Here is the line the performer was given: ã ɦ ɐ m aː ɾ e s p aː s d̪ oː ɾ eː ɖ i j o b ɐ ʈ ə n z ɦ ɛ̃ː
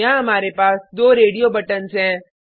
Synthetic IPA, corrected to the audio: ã ɦ ɐ m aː ɾ e p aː s d̪ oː ɾ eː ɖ i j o b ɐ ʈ ə n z ɦ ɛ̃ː